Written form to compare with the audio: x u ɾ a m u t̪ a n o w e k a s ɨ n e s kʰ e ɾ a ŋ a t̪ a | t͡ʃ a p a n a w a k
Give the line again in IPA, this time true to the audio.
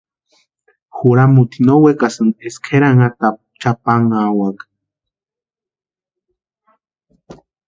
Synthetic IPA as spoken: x u ɾ a m u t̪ i n o w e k a s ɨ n e s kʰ e ɾ a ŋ a t̪ a | t͡ʃ a p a ŋ a w a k